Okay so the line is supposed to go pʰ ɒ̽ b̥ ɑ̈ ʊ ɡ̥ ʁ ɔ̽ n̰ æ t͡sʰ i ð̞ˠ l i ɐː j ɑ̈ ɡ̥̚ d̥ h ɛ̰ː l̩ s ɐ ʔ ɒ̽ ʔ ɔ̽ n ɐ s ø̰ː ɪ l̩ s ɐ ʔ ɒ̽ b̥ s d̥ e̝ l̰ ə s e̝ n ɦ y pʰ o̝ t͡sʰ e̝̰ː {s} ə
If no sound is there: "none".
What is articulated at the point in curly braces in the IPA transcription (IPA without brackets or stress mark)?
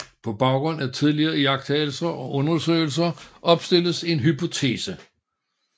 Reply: s